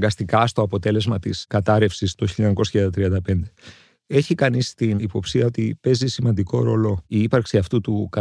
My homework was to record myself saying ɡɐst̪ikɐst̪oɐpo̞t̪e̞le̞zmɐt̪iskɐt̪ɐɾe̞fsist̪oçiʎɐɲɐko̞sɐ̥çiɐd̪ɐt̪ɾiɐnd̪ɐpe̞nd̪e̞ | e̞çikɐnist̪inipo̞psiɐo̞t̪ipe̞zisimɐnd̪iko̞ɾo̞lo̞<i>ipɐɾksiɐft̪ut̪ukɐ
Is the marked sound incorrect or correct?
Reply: correct